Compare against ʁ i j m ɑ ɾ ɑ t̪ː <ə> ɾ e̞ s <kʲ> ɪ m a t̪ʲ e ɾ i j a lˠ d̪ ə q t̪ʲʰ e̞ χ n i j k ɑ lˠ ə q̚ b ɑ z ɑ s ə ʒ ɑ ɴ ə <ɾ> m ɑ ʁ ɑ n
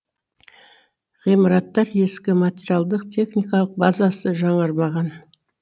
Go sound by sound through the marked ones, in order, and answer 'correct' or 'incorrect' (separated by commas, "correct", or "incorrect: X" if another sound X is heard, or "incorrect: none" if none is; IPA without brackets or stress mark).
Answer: incorrect: ɑ, correct, correct